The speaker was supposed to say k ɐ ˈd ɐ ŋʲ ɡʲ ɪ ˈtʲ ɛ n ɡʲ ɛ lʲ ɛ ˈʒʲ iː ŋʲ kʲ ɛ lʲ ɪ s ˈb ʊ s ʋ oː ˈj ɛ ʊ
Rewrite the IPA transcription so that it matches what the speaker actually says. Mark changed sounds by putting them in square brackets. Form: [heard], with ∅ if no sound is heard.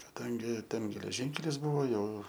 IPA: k ɐ ˈd ɐ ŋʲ ɡʲ ɪ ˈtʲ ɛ n ɡʲ ɛ lʲ ɛ ˈʒʲ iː ŋʲ kʲ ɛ lʲ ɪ s ˈb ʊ [∅] ʋ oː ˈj ɛ ʊ